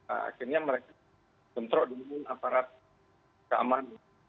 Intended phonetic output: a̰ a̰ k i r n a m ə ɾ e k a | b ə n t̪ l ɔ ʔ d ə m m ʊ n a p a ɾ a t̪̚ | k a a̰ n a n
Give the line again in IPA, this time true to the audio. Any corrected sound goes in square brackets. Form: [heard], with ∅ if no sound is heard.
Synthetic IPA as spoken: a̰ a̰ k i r [ɲ] a m ə ɾ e k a | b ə n t̪ [ɾ] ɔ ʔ d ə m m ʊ n a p a ɾ a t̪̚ | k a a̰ [m] a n